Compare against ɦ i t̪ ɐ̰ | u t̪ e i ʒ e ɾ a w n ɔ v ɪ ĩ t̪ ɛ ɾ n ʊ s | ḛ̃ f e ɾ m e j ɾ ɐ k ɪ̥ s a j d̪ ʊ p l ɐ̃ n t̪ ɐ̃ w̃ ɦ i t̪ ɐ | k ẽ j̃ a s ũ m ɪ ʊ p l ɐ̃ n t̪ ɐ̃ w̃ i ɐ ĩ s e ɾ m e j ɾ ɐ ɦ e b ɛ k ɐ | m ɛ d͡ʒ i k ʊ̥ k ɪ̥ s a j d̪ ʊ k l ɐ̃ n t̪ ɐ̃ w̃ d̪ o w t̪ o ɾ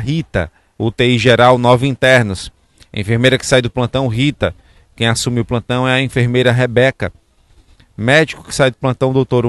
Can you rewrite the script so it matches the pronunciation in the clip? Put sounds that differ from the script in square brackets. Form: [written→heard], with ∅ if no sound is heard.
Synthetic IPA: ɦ i t̪ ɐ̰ | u t̪ e i ʒ e ɾ a w n ɔ v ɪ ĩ t̪ ɛ ɾ n ʊ s | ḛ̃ f e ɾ m e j ɾ ɐ k ɪ̥ s a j d̪ ʊ p l ɐ̃ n t̪ ɐ̃ w̃ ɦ i t̪ ɐ | k ẽ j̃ a s ũ m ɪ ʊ p l ɐ̃ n t̪ ɐ̃ w̃ [i→ɛ] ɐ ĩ [s→f] e ɾ m e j ɾ ɐ ɦ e b ɛ k ɐ | m ɛ d͡ʒ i k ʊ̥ k ɪ̥ s a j d̪ ʊ [k→p] l ɐ̃ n t̪ ɐ̃ w̃ d̪ o w t̪ o ɾ